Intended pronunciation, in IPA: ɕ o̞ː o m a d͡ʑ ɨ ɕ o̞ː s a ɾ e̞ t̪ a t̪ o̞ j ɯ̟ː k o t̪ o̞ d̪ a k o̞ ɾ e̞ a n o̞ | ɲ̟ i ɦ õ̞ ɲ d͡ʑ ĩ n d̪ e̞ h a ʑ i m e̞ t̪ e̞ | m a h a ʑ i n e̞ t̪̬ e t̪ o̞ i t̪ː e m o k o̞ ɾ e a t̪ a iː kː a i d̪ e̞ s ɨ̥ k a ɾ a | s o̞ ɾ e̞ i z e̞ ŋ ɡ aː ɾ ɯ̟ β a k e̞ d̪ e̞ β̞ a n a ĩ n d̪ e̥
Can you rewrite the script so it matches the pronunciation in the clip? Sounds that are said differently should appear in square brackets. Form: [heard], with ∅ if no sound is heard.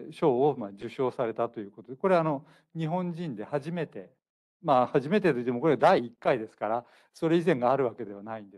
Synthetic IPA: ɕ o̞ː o m a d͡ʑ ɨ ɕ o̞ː s a ɾ e̞ t̪ a t̪ o̞ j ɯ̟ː k o t̪ o̞ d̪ [e] k o̞ ɾ e̞ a n o̞ | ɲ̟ i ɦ õ̞ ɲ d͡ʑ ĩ n d̪ e̞ h a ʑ i m e̞ t̪ e̞ | m a h a ʑ i [m] e̞ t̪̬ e t̪ o̞ i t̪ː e m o k o̞ ɾ e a [d̪] a iː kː a i d̪ e̞ s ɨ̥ k a ɾ a | s o̞ ɾ e̞ i z [ẽ̞] ŋ ɡ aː ɾ ɯ̟ β a k e̞ d̪ e̞ β̞ a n a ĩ n d̪ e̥